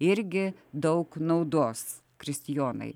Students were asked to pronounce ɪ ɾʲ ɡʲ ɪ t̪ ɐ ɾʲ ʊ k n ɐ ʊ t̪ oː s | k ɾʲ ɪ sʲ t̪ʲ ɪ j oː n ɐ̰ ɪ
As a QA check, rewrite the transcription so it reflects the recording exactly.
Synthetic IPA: ɪ ɾʲ ɡʲ ɪ d̪ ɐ ʊ k n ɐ ʊ d̪ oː s | k ɾʲ ɪ sʲ t̪ʲ ɪ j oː n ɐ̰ ɪ